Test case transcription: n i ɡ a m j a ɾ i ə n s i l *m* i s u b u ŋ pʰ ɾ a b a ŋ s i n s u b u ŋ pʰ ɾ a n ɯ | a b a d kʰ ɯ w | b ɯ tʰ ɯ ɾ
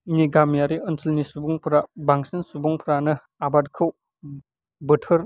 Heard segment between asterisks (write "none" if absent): n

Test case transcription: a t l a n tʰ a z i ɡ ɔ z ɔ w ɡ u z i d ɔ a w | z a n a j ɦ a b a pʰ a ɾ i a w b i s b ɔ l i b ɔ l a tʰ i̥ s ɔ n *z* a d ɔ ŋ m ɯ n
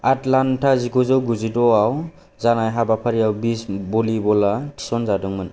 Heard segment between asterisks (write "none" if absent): z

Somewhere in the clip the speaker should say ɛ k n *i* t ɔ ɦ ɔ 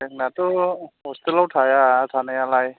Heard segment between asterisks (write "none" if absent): a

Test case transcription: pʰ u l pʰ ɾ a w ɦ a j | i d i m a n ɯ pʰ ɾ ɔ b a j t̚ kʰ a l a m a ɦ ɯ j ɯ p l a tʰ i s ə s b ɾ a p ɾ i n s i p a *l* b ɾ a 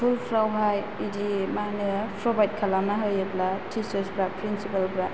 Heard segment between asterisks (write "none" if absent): l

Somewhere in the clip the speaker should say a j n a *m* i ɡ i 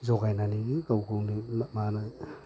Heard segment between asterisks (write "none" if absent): n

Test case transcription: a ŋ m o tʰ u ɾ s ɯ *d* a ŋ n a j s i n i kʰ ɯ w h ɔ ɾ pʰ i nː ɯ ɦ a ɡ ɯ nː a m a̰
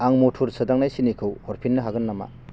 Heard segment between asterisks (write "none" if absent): d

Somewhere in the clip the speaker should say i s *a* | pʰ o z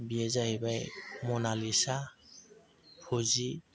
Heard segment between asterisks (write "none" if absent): a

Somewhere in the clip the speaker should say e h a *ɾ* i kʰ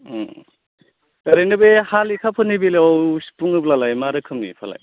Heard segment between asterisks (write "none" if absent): l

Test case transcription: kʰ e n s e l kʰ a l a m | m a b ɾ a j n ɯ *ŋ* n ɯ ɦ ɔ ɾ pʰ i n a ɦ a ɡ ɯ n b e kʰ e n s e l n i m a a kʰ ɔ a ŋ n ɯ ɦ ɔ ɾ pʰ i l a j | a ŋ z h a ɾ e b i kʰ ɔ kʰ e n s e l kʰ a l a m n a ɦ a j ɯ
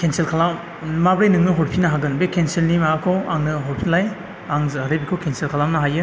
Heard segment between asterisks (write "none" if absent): ŋ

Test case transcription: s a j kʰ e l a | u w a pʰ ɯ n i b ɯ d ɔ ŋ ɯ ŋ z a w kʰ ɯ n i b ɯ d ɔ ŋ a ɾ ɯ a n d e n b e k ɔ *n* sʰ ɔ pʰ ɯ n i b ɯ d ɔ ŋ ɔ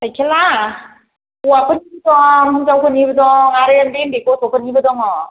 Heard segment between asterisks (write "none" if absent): none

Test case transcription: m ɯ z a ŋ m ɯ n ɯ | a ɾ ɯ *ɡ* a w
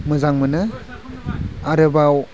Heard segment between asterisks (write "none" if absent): b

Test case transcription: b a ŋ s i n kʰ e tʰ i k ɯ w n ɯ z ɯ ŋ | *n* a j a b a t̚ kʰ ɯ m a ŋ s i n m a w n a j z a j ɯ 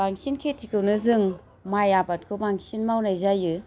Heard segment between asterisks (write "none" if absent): m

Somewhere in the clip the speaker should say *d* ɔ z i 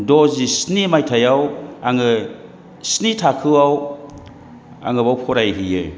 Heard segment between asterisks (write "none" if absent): d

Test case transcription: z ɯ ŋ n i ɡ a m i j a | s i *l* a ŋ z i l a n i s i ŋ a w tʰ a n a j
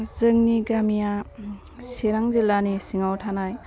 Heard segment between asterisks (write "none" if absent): ɾ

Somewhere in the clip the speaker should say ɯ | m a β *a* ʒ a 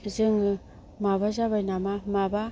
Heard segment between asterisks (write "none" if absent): a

